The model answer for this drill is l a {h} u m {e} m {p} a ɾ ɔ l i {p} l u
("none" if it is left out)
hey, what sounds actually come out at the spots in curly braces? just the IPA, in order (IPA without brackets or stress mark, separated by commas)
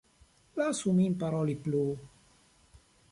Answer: s, i, p, p